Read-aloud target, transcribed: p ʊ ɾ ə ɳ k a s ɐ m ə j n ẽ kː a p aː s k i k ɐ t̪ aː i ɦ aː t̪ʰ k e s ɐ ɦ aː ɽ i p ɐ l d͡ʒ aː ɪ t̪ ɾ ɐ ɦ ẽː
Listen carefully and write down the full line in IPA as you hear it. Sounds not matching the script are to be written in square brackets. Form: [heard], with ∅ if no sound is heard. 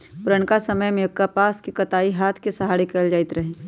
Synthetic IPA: p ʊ ɾ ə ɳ k a s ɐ m ə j [m] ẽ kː a p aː s k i k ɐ t̪ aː i ɦ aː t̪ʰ k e s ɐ ɦ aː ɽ i [k] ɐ l d͡ʒ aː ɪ t̪ ɾ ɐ ɦ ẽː